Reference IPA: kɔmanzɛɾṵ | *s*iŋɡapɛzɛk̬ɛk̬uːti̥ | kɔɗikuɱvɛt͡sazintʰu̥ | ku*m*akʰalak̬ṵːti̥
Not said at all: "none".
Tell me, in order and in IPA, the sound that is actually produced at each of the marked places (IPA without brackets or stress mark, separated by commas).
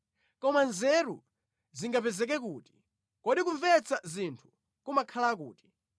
z, m